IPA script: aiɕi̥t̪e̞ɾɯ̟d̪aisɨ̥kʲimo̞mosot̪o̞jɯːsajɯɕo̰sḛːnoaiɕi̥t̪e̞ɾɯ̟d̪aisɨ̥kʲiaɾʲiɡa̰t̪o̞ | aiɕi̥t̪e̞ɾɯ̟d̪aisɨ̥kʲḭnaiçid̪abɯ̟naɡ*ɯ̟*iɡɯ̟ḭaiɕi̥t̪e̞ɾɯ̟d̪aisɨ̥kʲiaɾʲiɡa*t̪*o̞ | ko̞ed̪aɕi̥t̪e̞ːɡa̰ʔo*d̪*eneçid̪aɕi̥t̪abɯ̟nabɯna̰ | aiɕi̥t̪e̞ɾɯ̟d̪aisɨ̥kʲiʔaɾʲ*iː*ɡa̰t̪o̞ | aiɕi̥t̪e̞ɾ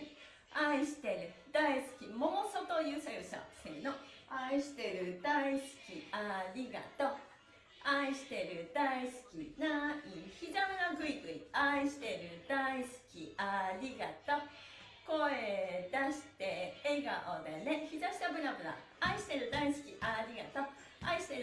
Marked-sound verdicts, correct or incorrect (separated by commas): correct, correct, correct, incorrect